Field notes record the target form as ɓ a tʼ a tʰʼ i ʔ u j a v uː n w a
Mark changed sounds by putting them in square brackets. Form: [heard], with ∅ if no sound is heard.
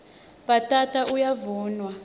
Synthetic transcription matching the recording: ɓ a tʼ a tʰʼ [a] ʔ u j a v uː n w a